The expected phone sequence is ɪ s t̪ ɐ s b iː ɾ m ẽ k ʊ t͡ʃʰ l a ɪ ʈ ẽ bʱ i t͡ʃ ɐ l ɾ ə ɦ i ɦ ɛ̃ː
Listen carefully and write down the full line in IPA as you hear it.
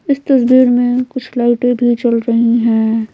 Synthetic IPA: ɪ s t̪ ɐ s b iː ɾ m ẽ k ʊ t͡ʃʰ l a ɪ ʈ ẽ bʱ i t͡ʃ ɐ l ɾ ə ɦ i ɦ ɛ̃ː